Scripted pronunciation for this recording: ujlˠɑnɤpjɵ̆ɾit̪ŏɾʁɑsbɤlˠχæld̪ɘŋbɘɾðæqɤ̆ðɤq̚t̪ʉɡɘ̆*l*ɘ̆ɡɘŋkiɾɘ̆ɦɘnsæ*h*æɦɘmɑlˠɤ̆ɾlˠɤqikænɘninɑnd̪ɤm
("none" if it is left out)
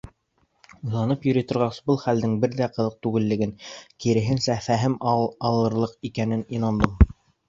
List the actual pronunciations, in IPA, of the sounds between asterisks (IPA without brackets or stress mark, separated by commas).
lː, f